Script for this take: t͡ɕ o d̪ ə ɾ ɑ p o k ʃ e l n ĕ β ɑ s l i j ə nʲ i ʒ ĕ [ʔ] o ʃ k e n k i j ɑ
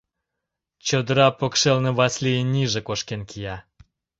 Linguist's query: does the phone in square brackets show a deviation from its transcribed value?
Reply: yes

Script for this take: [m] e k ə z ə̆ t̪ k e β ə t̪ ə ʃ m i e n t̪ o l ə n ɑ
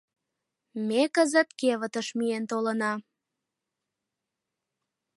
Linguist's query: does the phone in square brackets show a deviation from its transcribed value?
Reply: no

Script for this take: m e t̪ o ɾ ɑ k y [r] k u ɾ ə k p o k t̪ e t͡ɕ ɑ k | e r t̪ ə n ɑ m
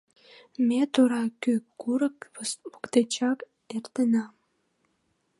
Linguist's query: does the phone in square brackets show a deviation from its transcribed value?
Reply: yes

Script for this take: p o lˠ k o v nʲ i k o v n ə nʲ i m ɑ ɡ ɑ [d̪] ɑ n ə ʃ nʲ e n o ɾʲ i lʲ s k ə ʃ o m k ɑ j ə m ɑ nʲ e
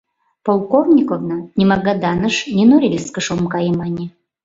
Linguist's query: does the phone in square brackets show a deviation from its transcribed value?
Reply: no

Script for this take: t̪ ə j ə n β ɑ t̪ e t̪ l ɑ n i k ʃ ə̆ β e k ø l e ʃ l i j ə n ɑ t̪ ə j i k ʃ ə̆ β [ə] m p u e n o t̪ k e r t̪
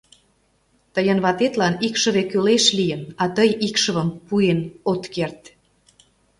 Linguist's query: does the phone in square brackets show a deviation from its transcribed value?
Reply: no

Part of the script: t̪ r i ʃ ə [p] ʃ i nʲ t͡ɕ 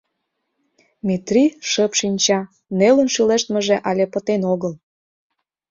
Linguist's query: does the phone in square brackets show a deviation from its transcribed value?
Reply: no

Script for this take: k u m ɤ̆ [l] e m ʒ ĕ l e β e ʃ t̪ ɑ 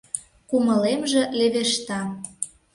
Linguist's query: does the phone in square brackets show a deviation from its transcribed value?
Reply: no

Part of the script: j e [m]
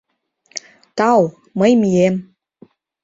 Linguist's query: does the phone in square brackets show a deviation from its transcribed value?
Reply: no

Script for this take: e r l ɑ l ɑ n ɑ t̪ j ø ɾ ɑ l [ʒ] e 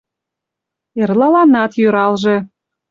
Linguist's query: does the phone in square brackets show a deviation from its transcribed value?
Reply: no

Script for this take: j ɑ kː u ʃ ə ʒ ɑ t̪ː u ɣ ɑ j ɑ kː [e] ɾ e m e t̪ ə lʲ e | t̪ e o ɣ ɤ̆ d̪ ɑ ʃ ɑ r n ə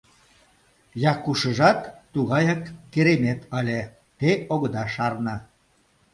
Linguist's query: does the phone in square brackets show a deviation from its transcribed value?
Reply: no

